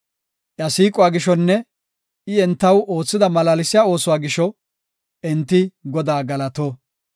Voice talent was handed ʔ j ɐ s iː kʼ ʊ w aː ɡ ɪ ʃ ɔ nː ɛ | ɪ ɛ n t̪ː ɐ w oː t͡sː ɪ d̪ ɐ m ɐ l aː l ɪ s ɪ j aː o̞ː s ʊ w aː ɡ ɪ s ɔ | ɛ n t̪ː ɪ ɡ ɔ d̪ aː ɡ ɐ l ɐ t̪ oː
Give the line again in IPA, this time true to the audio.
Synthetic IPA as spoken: ʔ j ɐ s iː kʼ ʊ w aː ɡ ɪ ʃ ɔ nː ɛ | ɪ ɛ n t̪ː ɐ w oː t͡sː ɪ d̪ ɐ m ɐ l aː l ɪ s ɪ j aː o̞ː s ʊ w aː ɡ ɪ ʃ ɔ | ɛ n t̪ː ɪ ɡ ɔ d̪ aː ɡ ɐ l ɐ t̪ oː